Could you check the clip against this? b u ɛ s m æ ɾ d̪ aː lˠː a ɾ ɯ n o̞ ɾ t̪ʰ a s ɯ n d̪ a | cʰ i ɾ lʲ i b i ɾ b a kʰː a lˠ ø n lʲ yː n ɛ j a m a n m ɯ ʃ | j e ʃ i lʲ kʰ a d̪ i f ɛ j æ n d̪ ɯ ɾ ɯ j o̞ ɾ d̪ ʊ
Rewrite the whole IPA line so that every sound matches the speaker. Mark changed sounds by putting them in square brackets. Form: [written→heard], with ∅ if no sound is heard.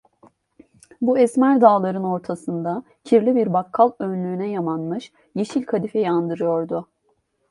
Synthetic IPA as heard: b u ɛ s m æ ɾ d̪ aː [lˠː→lˠ] a ɾ ɯ n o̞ ɾ t̪ʰ a s ɯ n d̪ a | cʰ i ɾ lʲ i b i ɾ b a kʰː a lˠ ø n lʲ yː n ɛ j a m a n m ɯ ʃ | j e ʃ i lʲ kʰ a d̪ i f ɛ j [æ→a] n d̪ ɯ ɾ ɯ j o̞ ɾ d̪ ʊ